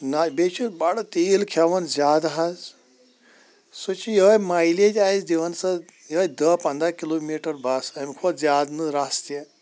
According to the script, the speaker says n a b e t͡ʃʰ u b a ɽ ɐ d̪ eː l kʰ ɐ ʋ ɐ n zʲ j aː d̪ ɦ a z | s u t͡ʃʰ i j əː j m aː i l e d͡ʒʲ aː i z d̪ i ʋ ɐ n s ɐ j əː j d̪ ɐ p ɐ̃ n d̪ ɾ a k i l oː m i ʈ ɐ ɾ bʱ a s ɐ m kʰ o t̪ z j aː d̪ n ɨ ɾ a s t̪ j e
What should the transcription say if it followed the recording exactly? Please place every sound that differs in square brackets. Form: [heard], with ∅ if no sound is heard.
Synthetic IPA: n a b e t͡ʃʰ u b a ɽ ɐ [t̪] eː l kʰ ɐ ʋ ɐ n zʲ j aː d̪ ɦ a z | s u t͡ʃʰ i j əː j m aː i l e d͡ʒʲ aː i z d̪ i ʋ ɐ n s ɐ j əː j d̪ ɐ p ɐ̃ n d̪ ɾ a k i l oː m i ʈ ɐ ɾ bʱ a s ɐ m kʰ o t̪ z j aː d̪ n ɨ ɾ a s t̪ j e